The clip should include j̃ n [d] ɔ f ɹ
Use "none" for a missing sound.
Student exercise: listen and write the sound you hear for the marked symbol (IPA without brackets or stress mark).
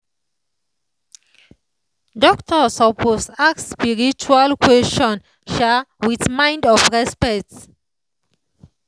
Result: d